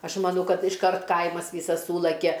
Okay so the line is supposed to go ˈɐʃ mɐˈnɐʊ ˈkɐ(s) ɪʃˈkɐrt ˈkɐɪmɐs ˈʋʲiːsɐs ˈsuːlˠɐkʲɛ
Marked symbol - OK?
no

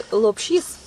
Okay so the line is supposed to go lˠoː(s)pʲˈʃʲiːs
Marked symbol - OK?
no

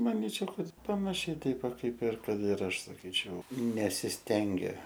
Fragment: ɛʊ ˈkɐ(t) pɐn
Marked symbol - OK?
yes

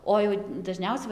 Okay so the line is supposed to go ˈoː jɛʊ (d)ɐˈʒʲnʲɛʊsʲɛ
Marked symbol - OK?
yes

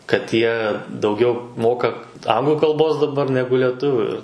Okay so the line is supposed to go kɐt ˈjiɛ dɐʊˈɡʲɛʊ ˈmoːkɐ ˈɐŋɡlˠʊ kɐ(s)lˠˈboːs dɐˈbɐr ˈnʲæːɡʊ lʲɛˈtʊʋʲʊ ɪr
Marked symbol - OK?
no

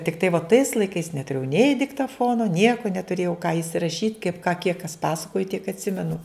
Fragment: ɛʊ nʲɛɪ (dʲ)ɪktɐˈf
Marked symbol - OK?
yes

